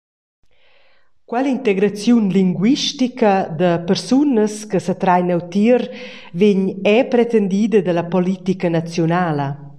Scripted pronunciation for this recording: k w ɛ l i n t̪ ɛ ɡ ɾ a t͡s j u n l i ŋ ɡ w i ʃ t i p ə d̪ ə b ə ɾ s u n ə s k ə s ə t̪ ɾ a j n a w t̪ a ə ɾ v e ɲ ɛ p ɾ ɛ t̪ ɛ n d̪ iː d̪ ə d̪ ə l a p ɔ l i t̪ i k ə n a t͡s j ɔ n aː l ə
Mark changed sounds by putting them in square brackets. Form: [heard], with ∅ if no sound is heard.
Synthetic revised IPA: k w ɛ l i n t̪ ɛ ɡ ɾ a t͡s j u n l i ŋ ɡ w i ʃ t i [k] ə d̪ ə [p] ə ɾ s u n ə s k ə s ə t̪ ɾ a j n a w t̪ [i] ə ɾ v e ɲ ɛ p ɾ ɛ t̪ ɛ n d̪ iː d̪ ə d̪ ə l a p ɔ l i t̪ i k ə n a t͡s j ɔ n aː l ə